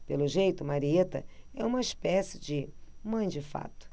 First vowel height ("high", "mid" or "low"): mid